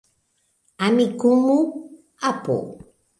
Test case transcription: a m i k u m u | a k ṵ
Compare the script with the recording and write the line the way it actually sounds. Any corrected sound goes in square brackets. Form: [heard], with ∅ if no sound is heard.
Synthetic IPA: a m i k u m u | a [p] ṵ